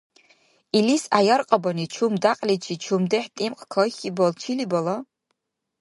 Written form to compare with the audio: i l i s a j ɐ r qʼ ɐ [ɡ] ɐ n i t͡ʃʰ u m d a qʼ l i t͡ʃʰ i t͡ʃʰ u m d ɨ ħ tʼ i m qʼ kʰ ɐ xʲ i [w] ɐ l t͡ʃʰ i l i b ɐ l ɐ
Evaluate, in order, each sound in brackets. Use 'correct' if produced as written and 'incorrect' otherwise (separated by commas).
incorrect, incorrect